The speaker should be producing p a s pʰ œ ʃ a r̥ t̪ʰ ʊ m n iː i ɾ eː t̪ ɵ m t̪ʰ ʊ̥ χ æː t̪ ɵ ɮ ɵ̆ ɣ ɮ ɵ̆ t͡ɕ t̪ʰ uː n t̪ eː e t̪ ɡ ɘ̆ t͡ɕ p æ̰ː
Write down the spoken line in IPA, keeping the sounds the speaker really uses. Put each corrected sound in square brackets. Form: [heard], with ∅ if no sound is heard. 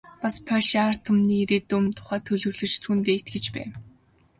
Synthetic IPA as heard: p a s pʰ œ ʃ a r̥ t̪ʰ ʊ m n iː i ɾ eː t̪ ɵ m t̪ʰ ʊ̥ χ æː [t̪ʰ] ɵ ɮ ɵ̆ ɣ ɮ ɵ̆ t͡ɕ t̪ʰ uː n t̪ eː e t̪ ɡ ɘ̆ t͡ɕ p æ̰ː